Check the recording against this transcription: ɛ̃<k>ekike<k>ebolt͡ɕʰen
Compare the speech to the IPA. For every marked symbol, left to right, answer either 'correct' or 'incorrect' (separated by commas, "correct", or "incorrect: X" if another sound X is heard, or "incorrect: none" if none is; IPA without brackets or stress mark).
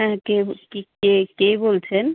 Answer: correct, correct